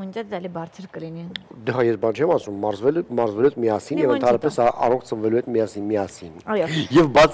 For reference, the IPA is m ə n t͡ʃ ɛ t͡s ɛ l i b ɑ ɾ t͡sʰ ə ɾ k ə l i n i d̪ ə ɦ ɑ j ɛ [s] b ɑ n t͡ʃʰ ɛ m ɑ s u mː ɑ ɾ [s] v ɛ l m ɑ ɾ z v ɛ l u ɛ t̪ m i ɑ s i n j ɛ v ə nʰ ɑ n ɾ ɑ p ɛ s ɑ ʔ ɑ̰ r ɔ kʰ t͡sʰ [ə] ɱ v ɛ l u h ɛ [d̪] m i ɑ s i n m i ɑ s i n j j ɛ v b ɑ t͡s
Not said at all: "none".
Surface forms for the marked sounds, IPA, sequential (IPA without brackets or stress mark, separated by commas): s, z, ə, t̪